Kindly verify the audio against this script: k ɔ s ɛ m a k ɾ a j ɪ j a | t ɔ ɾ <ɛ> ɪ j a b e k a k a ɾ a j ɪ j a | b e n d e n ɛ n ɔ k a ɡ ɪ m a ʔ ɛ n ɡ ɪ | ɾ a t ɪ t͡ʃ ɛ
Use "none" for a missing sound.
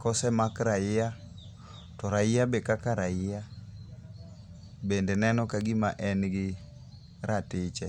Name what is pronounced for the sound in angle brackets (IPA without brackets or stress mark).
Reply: a